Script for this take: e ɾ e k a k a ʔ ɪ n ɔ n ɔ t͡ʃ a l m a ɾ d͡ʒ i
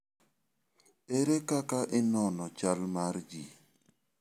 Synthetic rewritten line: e ɾ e k a k a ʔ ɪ n ɔ n ɔ t͡ʃ a l m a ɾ d͡ʒ i